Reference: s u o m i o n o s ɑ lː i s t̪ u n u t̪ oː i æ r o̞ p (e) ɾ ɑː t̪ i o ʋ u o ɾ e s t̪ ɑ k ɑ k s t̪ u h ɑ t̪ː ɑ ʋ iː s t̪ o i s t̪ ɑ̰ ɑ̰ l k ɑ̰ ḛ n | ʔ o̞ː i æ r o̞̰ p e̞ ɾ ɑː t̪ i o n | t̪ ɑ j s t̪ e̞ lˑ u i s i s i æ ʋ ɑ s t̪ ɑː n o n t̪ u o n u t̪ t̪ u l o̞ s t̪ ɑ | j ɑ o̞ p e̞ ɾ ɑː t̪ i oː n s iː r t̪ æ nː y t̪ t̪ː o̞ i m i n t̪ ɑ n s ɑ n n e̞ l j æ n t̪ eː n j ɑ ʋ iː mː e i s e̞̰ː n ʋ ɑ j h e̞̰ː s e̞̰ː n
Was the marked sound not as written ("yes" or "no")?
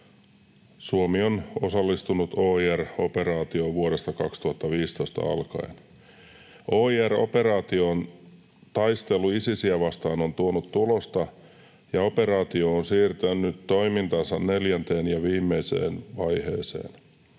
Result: no